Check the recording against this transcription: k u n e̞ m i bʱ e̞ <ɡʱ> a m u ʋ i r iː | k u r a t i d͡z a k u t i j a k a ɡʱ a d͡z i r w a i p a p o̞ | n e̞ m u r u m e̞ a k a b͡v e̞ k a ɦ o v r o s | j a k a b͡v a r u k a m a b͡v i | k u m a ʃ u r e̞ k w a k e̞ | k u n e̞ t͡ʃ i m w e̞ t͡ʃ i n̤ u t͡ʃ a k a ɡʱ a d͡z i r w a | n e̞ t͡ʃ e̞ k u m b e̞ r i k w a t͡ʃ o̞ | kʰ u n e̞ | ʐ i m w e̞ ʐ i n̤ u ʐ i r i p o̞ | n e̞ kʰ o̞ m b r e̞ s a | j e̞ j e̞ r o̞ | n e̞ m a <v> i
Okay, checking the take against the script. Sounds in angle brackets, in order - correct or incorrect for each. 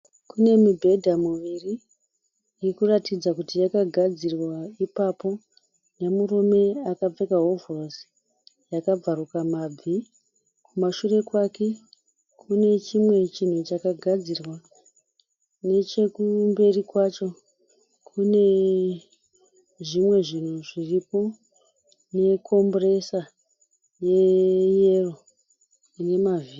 incorrect, correct

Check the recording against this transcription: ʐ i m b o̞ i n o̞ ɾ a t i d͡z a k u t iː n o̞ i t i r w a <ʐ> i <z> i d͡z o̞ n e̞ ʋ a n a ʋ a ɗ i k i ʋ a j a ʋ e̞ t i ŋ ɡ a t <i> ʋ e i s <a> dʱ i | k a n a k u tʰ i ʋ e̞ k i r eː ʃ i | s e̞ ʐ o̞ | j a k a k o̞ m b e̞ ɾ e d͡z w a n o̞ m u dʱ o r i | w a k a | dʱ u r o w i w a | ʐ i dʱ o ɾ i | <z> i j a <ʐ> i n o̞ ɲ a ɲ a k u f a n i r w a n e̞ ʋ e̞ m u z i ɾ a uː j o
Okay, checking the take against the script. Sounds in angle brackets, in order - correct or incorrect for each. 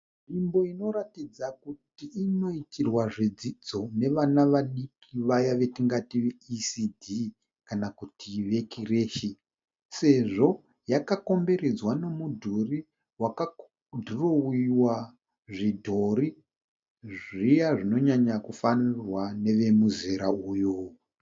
correct, incorrect, correct, incorrect, incorrect, correct

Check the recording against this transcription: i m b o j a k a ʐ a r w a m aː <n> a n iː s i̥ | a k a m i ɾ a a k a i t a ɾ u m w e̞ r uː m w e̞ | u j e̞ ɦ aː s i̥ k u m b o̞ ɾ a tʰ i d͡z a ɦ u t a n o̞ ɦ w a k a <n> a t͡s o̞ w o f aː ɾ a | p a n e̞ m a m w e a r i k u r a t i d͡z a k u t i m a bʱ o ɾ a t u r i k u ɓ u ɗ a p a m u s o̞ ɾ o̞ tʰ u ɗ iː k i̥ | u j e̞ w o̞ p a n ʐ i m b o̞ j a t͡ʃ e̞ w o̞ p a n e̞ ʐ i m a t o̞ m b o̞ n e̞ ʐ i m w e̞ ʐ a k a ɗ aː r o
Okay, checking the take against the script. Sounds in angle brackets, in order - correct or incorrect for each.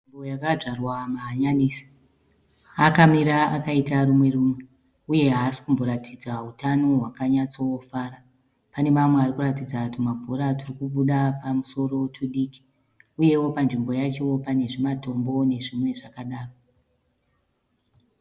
incorrect, incorrect

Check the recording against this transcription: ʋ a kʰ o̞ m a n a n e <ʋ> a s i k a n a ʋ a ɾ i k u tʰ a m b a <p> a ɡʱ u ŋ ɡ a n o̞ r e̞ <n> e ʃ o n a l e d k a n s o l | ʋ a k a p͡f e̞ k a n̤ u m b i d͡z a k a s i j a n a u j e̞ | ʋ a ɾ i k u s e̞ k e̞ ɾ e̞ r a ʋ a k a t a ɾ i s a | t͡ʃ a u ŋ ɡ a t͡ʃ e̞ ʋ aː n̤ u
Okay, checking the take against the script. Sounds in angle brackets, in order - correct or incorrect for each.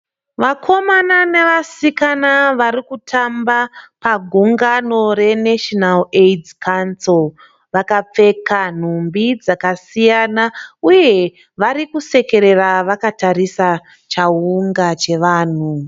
correct, correct, correct

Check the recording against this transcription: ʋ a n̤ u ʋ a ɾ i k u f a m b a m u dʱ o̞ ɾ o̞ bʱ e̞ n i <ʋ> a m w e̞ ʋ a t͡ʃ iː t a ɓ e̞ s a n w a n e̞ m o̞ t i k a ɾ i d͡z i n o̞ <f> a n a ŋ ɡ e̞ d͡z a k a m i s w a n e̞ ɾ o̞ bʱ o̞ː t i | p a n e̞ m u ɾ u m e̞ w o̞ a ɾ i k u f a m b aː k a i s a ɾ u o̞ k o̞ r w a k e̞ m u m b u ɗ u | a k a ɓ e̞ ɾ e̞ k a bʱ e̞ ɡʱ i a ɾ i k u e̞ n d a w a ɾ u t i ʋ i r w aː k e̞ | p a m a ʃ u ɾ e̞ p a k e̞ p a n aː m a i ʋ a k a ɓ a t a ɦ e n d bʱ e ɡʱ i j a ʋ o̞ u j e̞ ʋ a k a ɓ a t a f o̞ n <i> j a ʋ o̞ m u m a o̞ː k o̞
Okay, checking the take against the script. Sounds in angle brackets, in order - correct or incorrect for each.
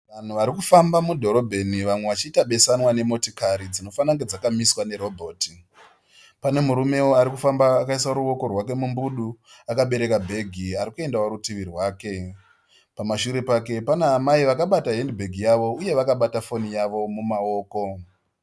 correct, correct, correct

